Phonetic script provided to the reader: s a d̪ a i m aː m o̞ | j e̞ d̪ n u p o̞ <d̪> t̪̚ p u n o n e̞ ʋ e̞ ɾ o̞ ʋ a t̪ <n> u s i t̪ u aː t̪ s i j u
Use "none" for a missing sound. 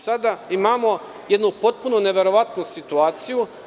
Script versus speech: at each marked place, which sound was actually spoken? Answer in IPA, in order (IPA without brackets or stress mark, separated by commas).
none, n